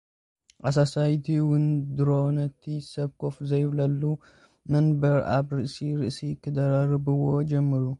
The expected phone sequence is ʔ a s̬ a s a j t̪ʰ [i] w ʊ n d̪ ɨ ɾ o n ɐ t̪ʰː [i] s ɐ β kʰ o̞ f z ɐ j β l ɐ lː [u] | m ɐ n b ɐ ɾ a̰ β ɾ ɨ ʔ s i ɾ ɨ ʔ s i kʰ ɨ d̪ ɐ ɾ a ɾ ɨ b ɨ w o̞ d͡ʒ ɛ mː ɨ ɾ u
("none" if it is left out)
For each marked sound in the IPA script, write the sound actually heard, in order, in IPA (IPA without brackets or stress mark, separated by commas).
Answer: i, i, u